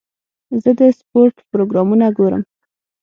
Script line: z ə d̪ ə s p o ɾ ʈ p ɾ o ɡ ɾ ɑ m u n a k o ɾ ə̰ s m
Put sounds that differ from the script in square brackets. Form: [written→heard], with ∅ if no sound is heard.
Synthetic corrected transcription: z ə d̪ ə s p o ɾ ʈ p ɾ o ɡ ɾ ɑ m u n a [k→ɡ] o ɾ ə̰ [s→∅] m